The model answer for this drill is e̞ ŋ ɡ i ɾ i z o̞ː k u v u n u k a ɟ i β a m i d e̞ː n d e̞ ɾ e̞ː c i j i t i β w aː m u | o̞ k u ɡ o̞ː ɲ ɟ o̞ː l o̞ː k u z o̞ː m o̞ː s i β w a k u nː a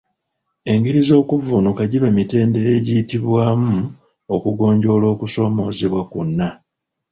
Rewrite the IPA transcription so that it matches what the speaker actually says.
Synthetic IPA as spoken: e̞ ŋ ɡ i ɾ i z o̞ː k u v u n u k a ɟ i β a m i t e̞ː n d e̞ ɾ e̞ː ɟ i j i t i β w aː m u | o̞ k u ɡ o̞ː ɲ ɟ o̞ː l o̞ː k u s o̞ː m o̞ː z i β w a k u nː a